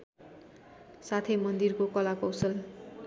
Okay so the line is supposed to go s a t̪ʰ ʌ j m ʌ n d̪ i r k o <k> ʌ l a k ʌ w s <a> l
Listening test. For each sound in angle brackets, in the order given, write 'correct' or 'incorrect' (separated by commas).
correct, incorrect